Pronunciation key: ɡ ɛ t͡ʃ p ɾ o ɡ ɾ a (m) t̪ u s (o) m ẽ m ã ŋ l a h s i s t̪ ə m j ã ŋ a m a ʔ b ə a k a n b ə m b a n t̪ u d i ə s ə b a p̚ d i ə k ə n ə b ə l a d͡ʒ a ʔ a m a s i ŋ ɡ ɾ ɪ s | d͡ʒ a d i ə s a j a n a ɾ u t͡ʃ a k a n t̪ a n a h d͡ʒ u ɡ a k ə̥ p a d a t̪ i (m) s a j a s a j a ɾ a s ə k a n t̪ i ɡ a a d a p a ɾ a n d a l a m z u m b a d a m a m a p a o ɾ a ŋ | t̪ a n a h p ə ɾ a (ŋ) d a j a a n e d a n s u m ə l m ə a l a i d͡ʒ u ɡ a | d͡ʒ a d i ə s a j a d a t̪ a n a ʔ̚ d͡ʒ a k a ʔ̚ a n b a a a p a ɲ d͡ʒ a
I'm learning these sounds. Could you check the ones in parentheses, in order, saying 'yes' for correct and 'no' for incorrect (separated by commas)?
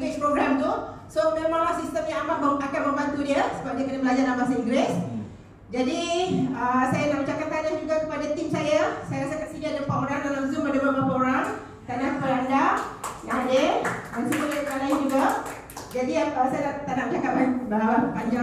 yes, yes, yes, no